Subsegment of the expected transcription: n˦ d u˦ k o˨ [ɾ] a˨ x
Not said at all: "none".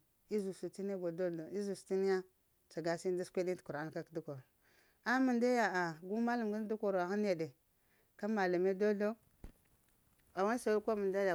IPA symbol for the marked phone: ɾ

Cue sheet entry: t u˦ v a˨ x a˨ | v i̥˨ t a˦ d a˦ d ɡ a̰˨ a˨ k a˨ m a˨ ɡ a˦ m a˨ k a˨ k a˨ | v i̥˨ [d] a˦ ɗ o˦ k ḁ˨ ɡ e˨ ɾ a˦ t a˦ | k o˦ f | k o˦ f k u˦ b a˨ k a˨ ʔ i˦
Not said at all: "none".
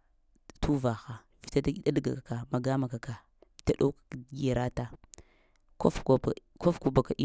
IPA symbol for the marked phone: t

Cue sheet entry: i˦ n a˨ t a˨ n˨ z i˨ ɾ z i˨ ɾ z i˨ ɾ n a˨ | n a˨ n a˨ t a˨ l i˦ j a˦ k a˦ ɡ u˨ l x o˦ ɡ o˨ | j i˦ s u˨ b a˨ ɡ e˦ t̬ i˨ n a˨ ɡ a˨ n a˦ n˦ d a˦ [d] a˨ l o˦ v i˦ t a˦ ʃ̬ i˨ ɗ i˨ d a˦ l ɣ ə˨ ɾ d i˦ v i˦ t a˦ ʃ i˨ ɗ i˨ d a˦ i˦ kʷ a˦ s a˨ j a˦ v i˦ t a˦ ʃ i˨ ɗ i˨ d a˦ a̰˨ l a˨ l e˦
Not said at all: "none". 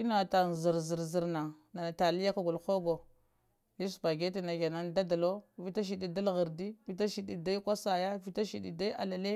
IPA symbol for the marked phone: d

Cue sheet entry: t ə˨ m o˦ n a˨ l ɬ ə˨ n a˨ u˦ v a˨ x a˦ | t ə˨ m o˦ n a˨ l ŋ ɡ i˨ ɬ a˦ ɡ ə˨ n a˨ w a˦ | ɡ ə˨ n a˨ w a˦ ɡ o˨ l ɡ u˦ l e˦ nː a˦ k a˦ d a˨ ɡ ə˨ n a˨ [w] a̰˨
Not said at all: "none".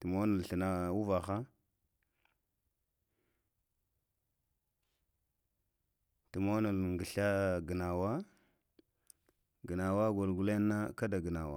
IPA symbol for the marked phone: w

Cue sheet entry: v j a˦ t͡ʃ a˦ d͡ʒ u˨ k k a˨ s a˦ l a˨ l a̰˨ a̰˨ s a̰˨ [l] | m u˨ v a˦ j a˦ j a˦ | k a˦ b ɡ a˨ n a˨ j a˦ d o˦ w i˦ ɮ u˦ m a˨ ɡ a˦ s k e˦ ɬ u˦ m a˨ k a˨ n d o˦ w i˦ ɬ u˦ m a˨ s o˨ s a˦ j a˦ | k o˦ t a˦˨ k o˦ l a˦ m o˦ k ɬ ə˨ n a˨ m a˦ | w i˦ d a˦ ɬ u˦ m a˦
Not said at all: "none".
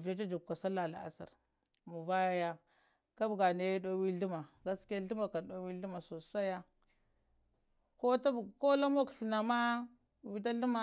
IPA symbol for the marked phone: ɾ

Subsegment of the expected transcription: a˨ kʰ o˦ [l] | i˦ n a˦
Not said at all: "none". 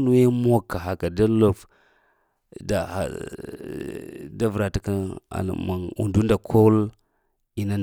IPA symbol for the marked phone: l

